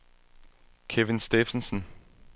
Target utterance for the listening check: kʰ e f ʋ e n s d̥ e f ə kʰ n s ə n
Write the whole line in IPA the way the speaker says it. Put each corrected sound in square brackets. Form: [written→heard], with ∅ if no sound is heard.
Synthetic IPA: kʰ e [f→∅] ʋ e n s d̥ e f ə [kʰ→∅] n s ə n